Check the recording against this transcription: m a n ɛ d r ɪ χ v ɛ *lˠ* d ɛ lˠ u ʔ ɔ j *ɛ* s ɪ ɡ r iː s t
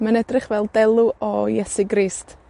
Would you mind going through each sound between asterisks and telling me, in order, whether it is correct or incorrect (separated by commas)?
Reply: correct, correct